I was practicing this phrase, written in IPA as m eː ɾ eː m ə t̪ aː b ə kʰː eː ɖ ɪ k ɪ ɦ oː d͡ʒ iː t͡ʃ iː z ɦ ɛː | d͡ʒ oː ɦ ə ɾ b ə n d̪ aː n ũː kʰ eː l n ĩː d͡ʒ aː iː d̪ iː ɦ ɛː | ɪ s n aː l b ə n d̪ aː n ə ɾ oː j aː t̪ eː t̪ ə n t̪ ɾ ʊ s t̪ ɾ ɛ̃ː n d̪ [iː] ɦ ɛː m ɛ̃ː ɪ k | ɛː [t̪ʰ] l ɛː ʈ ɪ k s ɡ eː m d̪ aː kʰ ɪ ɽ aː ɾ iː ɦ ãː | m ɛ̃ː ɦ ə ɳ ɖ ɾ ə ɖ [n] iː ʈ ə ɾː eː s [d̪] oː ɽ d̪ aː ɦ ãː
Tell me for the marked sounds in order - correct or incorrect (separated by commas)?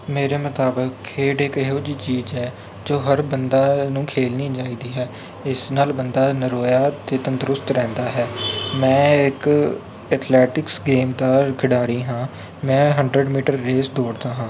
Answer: incorrect, correct, incorrect, correct